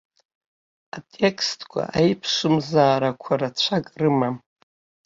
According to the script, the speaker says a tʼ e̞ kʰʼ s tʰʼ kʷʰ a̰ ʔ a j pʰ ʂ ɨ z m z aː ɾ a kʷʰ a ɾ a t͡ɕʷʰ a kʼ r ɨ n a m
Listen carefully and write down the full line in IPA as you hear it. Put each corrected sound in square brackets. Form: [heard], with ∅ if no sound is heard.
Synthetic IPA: a tʼ e̞ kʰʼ s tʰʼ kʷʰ a̰ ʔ a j pʰ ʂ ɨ [∅] m z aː ɾ a kʷʰ a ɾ a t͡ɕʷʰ a kʼ r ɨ [m] a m